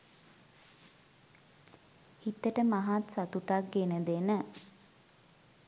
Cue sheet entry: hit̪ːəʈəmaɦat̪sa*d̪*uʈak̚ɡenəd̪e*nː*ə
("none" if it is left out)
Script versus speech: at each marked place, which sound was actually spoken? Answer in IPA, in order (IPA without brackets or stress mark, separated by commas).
t̪, n